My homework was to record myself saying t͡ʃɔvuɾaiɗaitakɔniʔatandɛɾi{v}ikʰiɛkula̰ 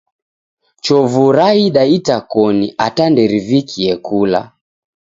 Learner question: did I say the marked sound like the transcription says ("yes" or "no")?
yes